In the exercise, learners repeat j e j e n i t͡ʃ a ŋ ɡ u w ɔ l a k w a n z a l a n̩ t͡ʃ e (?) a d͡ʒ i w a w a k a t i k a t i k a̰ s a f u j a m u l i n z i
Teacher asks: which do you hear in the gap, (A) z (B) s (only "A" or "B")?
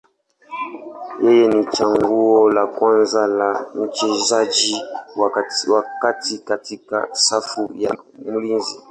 A